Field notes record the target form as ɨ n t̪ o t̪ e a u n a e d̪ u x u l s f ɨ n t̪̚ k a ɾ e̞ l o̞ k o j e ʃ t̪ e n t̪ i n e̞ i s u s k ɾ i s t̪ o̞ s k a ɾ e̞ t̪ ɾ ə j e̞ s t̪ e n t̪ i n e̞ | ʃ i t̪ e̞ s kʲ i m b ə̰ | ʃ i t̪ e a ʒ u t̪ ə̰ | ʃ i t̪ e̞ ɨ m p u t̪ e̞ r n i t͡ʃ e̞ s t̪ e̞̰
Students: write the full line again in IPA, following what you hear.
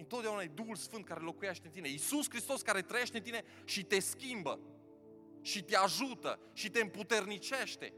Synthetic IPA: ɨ n t̪ o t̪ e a u n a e d̪ u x u l s f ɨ n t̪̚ k a ɾ e̞ l o̞ k u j e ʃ t̪ e n t̪ i n e̞ i s u s k ɾ i s t̪ o̞ s k a ɾ e̞ t̪ ɾ ə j e̞ ʃ t̪ e n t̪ i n e̞ | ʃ i t̪ e̞ s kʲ i m b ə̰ | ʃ i t̪ e a ʒ u t̪ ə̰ | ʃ i t̪ e̞ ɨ m p u t̪ e̞ r n i t͡ʃ e̞ ʃ t̪ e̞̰